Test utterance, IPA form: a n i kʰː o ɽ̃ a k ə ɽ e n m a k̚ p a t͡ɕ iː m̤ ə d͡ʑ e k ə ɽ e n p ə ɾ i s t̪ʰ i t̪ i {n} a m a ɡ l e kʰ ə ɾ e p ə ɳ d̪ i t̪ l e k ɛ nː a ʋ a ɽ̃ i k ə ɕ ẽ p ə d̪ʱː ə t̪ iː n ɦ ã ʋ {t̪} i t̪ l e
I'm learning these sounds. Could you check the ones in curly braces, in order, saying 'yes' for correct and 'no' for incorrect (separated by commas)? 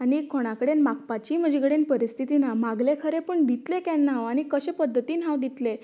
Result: yes, no